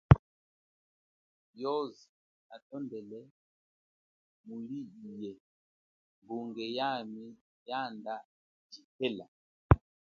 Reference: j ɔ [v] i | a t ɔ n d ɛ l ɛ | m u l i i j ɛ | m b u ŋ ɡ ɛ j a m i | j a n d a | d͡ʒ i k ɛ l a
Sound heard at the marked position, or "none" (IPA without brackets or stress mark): z